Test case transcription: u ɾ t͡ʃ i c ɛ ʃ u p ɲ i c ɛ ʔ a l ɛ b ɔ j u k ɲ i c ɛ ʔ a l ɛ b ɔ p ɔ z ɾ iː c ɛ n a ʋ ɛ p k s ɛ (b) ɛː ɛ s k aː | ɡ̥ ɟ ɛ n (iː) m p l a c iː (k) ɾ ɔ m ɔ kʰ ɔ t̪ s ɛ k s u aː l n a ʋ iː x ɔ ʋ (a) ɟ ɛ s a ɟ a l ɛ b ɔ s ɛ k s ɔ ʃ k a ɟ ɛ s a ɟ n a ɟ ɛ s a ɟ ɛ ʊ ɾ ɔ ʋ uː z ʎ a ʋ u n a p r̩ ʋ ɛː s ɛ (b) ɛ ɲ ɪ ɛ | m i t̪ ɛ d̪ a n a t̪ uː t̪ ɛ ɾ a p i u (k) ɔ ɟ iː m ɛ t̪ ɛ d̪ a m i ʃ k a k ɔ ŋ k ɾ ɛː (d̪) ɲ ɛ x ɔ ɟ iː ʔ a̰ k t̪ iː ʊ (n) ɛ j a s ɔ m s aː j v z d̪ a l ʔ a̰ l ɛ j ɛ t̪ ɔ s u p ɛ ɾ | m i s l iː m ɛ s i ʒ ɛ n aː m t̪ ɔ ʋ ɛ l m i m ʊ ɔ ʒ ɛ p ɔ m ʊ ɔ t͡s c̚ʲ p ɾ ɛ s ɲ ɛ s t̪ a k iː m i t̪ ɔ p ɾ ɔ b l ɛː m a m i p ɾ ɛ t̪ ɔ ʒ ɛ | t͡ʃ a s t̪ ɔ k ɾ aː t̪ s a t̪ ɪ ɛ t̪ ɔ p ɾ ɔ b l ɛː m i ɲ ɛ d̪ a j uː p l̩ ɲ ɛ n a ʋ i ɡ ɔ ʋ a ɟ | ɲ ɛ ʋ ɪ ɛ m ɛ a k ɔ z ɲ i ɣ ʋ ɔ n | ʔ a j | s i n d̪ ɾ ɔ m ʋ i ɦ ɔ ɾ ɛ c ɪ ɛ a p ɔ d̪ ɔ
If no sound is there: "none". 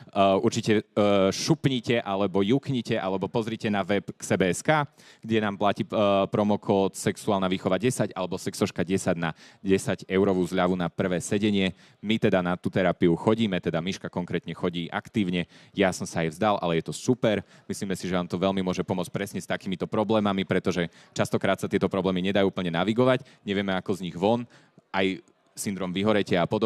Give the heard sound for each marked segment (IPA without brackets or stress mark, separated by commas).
b, aː, p, a, ɟ, x, t̪, ɲ